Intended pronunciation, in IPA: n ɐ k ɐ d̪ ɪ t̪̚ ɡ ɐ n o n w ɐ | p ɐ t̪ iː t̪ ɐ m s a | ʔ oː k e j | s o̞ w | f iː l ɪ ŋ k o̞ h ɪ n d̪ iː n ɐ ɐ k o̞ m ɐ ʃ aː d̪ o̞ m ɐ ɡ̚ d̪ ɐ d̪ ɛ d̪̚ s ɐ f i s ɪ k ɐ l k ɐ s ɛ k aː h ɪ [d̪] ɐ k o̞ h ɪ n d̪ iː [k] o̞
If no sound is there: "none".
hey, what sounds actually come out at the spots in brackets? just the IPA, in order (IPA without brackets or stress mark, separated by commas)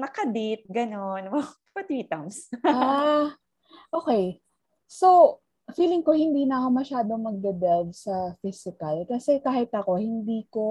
t̪, k